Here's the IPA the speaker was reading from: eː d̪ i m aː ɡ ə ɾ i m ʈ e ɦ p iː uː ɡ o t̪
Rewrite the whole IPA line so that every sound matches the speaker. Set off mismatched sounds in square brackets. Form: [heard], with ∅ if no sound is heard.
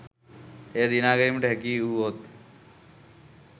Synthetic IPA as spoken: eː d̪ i [n] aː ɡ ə ɾ i m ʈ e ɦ [k] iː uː [∅] o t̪